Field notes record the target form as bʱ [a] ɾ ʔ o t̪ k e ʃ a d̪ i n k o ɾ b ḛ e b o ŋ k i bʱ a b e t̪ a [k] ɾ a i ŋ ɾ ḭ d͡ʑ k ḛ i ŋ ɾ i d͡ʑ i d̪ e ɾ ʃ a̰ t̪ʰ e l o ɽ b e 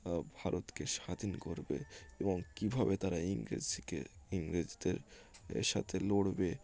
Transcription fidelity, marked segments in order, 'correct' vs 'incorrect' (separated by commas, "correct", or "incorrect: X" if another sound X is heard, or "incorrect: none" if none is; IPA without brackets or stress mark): correct, incorrect: none